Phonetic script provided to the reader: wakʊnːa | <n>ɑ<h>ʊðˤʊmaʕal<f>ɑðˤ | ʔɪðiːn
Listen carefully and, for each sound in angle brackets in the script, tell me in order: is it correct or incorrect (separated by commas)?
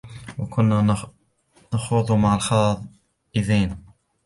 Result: correct, incorrect, incorrect